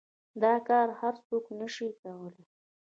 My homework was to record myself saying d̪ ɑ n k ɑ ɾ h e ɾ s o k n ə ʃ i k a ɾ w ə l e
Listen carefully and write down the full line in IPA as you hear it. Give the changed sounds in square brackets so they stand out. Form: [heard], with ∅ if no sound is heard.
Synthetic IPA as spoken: d̪ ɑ [∅] k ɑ ɾ h [a] ɾ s o k n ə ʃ i k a [∅] w ə l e